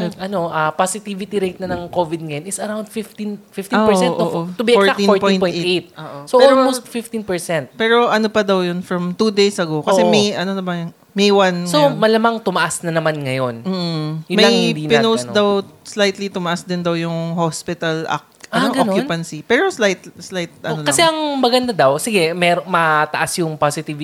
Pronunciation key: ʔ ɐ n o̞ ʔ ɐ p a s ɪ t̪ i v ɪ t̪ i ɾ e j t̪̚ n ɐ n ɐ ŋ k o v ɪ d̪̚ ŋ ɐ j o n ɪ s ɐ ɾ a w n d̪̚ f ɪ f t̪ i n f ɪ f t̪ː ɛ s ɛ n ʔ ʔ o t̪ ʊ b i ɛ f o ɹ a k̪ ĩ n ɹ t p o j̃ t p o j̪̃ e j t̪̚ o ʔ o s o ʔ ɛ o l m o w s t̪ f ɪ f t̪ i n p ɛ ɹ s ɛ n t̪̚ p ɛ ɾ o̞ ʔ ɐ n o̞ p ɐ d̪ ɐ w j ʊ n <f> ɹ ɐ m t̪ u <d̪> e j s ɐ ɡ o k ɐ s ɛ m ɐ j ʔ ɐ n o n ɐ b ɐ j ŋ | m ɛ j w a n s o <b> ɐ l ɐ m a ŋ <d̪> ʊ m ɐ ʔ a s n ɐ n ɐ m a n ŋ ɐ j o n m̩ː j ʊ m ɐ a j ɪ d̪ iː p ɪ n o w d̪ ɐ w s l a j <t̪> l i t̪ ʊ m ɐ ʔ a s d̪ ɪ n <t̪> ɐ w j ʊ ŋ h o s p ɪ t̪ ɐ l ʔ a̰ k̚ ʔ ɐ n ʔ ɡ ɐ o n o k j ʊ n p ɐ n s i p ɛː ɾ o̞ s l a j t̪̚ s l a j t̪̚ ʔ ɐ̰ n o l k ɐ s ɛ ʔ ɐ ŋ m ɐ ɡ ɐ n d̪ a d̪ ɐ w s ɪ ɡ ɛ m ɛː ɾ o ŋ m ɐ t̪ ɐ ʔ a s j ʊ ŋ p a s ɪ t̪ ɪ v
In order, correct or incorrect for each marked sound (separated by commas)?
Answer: correct, correct, incorrect, incorrect, correct, incorrect